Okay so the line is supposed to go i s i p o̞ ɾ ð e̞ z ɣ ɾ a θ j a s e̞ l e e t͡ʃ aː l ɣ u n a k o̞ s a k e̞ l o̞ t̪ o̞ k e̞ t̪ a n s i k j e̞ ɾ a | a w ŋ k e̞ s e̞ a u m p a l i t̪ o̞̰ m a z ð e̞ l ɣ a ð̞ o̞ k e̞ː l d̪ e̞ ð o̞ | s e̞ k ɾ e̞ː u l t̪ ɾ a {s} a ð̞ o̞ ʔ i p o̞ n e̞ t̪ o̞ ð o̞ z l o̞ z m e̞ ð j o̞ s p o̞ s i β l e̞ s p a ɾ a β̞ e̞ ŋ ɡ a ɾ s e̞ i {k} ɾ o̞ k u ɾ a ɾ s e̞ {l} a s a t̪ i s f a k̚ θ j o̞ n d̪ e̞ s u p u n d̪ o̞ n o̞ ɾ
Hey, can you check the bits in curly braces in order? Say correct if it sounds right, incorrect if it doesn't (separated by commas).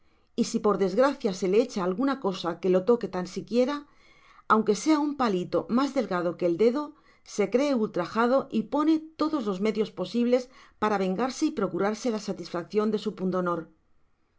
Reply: incorrect, incorrect, correct